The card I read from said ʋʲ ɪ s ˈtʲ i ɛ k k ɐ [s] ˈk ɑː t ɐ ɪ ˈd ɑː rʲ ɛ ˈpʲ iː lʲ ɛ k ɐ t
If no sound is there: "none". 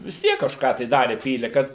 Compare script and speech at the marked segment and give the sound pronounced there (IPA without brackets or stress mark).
ʃ